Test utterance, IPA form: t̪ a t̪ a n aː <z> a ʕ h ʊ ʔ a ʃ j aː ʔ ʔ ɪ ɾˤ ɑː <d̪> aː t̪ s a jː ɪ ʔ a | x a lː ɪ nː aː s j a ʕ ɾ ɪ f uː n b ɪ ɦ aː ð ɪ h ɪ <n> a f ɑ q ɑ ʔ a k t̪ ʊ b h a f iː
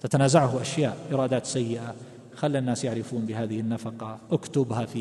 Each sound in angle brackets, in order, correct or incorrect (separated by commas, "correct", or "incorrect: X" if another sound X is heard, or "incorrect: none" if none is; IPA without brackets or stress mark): correct, correct, incorrect: nː